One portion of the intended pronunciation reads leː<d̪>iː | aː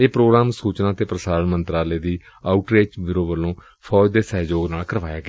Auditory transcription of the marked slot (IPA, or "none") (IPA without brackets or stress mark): d̪